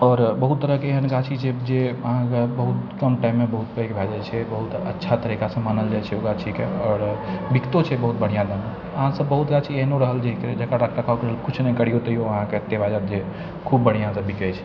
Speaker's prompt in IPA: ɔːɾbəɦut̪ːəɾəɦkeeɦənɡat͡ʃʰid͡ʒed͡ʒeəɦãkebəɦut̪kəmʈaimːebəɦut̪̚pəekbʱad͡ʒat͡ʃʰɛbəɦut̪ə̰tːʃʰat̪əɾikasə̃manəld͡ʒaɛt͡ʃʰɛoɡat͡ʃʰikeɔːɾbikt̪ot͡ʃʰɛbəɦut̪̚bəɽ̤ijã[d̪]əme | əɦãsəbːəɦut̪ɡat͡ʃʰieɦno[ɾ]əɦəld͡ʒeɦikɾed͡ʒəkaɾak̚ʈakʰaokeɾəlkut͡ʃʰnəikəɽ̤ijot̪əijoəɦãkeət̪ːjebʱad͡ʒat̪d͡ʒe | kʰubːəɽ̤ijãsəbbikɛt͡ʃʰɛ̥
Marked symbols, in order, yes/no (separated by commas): yes, yes